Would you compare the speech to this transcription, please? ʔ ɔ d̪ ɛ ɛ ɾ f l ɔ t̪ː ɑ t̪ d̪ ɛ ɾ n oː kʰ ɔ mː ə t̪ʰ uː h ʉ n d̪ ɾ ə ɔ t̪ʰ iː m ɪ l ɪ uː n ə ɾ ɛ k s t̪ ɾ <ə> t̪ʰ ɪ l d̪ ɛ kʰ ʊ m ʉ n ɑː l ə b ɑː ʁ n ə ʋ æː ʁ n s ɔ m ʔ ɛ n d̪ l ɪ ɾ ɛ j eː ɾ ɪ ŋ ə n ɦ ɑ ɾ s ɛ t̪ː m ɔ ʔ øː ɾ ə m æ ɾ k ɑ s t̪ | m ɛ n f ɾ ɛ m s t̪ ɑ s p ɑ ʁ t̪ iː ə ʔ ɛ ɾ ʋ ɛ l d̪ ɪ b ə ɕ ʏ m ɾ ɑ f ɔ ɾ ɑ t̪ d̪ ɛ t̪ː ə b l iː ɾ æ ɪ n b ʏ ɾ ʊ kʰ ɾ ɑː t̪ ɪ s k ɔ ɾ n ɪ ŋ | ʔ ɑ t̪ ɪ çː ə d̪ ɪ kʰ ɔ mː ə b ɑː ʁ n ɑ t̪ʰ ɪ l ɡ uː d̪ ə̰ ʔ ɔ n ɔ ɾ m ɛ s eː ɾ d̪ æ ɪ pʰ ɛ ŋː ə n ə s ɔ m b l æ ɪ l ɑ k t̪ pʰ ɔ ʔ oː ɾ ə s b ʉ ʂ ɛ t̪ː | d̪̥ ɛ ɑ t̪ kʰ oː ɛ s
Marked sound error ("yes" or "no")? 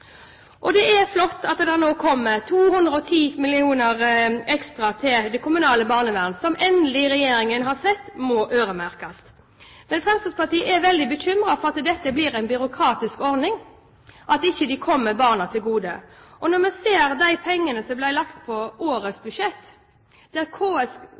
yes